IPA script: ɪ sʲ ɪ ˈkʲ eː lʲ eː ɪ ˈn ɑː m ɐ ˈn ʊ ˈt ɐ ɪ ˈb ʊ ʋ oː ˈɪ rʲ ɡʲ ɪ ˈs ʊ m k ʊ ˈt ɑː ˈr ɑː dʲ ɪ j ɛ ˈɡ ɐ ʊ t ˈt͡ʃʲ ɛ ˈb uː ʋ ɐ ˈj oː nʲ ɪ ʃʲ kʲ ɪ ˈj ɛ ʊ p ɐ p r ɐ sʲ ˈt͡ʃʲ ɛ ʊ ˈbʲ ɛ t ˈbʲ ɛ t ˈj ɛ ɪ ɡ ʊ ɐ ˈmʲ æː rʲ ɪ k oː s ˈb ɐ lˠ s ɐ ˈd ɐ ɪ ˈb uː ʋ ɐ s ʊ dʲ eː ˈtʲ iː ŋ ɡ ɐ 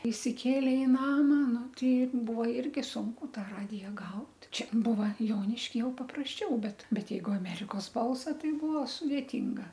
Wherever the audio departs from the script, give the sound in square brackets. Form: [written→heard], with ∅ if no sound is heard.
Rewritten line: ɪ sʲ ɪ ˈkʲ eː lʲ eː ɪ ˈn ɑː m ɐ ˈn ʊ ˈt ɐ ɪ ˈb ʊ ʋ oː ˈɪ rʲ ɡʲ ɪ ˈs ʊ [m→ŋ] k ʊ ˈt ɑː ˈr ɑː dʲ ɪ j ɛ ˈɡ ɐ ʊ t ˈt͡ʃʲ ɛ ˈb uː ʋ ɐ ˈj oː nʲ ɪ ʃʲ kʲ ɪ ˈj ɛ ʊ p ɐ p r ɐ sʲ ˈt͡ʃʲ ɛ ʊ ˈbʲ ɛ t ˈbʲ ɛ t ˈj ɛ ɪ ɡ ʊ ɐ ˈmʲ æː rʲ ɪ k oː s ˈb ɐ lˠ s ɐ [ˈd→ˈt] ɐ ɪ ˈb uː ʋ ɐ s ʊ dʲ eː ˈtʲ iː ŋ ɡ ɐ